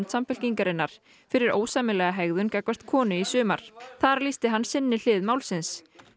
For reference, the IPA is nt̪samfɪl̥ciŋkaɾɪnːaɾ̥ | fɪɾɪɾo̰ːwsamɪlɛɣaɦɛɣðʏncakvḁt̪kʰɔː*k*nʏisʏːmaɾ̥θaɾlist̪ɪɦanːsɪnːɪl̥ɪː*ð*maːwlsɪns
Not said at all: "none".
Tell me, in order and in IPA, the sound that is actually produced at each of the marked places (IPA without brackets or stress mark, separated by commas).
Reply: none, ð